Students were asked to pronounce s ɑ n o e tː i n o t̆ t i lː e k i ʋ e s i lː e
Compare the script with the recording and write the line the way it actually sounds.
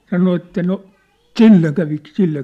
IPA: s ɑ n o e tː æ n o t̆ s i lː e k æ ʋ i s i lː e